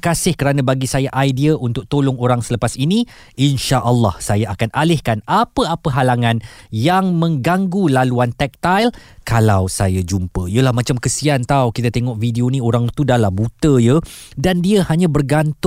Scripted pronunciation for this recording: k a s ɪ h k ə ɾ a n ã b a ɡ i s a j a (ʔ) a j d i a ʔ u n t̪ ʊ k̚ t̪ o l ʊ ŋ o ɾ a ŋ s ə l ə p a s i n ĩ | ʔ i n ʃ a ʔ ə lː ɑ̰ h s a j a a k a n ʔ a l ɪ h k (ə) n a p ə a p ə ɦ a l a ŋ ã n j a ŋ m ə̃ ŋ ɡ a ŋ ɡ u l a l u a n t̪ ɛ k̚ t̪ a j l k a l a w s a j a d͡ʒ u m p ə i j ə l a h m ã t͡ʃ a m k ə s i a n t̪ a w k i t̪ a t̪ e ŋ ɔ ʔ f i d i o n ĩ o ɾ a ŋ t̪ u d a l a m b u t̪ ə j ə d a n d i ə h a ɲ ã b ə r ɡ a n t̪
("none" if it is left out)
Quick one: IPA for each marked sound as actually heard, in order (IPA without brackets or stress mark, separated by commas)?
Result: ʔ, a